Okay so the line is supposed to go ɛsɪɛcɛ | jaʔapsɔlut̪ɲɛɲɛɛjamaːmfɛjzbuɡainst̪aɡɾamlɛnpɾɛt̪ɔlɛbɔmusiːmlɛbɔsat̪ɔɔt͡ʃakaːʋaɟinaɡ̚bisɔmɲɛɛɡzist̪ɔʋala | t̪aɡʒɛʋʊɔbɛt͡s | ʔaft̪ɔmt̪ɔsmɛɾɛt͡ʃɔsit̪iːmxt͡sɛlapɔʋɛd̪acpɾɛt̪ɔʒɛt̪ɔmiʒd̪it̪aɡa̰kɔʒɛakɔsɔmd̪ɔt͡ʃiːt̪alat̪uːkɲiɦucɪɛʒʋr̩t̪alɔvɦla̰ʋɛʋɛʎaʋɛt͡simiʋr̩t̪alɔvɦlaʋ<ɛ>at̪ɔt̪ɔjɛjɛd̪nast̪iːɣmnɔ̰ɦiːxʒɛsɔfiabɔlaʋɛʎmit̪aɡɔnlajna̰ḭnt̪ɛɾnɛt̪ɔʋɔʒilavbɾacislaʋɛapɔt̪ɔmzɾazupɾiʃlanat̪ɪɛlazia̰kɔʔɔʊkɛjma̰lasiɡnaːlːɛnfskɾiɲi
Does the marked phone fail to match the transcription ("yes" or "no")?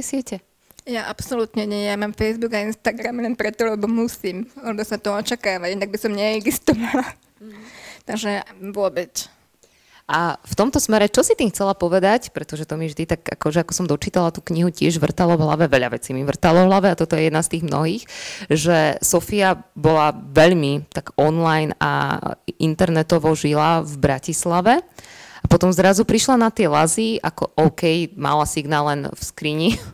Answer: no